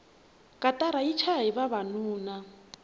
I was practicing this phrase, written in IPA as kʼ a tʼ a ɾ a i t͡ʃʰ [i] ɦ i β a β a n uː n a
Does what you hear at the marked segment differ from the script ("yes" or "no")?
yes